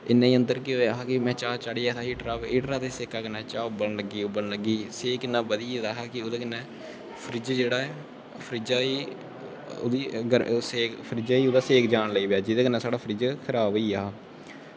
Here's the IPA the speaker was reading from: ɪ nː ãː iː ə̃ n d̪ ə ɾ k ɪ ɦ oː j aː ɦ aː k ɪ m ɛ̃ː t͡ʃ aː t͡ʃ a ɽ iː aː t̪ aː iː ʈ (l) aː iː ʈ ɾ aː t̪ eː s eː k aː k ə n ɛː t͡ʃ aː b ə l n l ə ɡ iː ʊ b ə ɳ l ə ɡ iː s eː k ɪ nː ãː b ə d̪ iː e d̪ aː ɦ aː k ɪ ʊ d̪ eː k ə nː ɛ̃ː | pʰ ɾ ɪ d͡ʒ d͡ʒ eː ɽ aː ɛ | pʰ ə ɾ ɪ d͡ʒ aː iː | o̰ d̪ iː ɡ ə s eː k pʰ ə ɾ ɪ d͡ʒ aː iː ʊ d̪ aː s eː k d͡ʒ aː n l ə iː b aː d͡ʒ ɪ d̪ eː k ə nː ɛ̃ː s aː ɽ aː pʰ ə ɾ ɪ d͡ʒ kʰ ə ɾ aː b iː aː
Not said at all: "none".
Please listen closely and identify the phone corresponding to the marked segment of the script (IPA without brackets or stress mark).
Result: ɾ